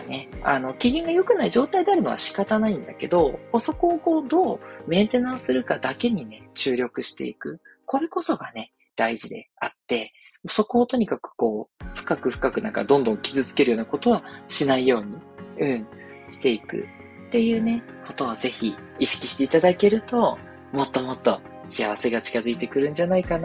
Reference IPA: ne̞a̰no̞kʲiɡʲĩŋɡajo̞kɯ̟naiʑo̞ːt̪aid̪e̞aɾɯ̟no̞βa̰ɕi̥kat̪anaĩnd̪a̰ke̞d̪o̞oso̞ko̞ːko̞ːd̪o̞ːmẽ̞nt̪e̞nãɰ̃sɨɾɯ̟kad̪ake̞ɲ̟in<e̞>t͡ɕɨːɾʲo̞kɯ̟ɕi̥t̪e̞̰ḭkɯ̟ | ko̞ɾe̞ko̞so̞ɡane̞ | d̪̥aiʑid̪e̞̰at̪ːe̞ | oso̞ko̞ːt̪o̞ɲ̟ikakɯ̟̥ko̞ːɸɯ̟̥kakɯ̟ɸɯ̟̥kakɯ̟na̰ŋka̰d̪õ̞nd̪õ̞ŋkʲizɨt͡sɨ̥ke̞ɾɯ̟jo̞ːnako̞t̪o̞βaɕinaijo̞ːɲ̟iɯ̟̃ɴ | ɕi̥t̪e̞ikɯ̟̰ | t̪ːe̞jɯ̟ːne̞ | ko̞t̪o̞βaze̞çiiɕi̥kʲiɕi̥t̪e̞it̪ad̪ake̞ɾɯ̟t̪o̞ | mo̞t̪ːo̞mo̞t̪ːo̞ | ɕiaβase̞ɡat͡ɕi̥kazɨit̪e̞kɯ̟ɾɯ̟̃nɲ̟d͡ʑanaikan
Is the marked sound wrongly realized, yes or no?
no